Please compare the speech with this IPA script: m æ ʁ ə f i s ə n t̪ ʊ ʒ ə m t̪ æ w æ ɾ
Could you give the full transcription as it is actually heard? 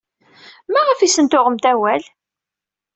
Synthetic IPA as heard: m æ ʁ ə f i s ə n t̪ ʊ ʁ ə m t̪ æ w æ l